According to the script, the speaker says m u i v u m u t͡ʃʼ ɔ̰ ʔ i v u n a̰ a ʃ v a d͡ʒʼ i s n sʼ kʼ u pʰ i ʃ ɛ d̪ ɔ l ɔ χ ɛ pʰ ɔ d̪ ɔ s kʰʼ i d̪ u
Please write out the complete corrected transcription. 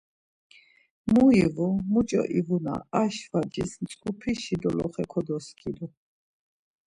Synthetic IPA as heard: m u i v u m u t͡ʃʼ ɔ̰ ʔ i v u n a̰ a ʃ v a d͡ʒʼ i s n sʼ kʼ u pʰ i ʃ i d̪ ɔ l ɔ χ ɛ kʰ ɔ d̪ ɔ s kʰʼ i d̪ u